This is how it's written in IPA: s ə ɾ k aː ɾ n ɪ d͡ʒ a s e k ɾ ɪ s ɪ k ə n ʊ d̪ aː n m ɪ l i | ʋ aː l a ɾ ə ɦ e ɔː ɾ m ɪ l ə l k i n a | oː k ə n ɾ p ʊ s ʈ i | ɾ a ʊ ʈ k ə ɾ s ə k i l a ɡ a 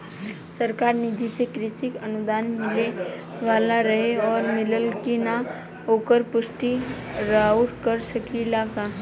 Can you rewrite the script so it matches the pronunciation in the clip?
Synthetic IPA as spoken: s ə ɾ k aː ɾ n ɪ d͡ʒ i s e k ɾ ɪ s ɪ k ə n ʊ d̪ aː n m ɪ l e | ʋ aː l a ɾ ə ɦ e ɔː ɾ m ɪ l ə l k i n a | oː k ə ɾ p ʊ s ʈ i | ɾ a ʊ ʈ k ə ɾ s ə k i l a k a